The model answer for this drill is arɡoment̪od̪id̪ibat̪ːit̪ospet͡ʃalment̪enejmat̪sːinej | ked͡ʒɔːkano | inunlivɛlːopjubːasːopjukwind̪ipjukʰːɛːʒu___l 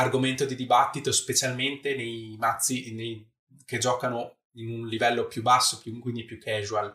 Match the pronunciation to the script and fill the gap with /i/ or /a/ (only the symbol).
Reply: a